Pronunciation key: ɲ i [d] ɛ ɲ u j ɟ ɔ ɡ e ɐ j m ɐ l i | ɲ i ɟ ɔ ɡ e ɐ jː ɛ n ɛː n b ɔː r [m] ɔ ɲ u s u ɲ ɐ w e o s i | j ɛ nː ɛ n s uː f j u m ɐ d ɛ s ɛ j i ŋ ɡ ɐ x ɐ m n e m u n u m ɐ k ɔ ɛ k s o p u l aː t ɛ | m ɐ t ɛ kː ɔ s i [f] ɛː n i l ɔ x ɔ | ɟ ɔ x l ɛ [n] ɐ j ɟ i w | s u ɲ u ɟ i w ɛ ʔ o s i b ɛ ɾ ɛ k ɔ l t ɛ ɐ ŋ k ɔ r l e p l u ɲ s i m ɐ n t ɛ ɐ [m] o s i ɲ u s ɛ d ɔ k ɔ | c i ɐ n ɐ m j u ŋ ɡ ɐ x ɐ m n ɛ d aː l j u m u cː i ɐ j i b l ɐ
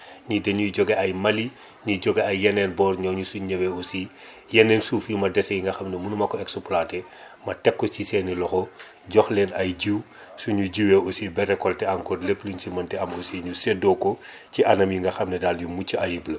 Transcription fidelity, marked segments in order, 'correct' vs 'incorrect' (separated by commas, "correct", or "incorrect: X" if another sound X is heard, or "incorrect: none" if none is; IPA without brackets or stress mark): correct, incorrect: ɲ, incorrect: s, correct, correct